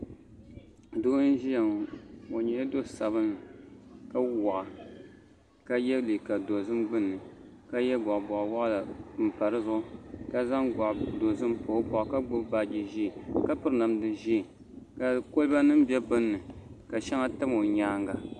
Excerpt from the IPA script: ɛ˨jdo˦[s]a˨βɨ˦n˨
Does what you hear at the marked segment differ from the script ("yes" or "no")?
no